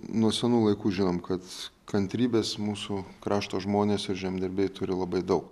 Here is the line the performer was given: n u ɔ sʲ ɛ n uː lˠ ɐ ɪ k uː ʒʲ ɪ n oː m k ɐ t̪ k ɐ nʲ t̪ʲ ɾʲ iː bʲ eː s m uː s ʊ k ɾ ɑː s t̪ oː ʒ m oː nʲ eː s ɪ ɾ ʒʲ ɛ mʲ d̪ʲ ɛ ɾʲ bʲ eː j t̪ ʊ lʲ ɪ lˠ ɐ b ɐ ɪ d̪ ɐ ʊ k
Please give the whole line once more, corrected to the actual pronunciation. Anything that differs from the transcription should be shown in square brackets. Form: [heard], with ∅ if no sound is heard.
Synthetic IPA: n u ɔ sʲ ɛ n uː lˠ ɐ ɪ k uː ʒʲ ɪ n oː m k ɐ t̪ k ɐ nʲ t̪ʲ ɾʲ iː bʲ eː s m uː s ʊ k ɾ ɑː [ʃ] t̪ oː ʒ m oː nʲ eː s ɪ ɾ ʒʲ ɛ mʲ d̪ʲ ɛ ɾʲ bʲ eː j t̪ ʊ [ɾʲ] ɪ lˠ ɐ b ɐ ɪ d̪ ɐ ʊ k